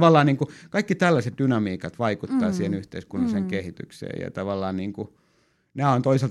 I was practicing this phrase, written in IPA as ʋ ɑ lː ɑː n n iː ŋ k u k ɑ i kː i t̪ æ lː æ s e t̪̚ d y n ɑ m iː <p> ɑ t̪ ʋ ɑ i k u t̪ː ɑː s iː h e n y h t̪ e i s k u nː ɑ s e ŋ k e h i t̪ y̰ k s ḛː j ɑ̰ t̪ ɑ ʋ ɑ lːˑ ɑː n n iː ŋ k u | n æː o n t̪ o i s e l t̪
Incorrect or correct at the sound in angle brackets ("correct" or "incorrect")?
incorrect